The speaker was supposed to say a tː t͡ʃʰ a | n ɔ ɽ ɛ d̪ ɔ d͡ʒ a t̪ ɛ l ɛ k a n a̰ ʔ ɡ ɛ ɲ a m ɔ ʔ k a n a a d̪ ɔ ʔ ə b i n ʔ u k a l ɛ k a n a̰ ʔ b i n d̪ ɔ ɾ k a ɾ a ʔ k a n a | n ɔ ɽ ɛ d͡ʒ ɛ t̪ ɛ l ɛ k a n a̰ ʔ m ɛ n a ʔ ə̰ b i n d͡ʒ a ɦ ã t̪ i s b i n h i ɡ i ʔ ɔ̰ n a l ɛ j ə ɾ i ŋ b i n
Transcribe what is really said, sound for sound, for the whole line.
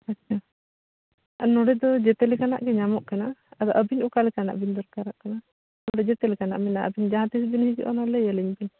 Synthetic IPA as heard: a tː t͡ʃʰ a | n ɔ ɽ ɛ d̪ ɔ d͡ʒ ɛ t̪ ɛ l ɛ k a n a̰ ʔ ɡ ɛ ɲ a m ɔ ʔ k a n a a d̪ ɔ ʔ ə b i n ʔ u k a l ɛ k a n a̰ ʔ b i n d̪ ɔ ɾ k a ɾ a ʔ k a n a | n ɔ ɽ ɛ d͡ʒ ɛ t̪ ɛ l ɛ k a n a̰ ʔ m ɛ n a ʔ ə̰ b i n d͡ʒ a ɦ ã t̪ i s b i n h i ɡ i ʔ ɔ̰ n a l ɛ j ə l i ɲ b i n